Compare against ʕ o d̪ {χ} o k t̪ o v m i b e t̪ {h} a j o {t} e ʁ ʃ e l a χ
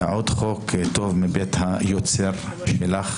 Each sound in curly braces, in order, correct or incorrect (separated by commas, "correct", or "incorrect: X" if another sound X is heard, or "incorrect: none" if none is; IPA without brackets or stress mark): correct, correct, incorrect: t͡s